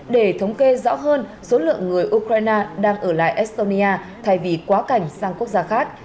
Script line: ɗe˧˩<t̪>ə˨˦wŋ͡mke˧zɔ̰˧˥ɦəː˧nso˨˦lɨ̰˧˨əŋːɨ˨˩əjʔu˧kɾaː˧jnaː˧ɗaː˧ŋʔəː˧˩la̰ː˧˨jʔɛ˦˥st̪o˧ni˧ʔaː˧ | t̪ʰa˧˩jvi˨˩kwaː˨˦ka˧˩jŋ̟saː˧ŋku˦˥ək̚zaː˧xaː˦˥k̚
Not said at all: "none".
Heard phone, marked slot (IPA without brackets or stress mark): t̪ʰ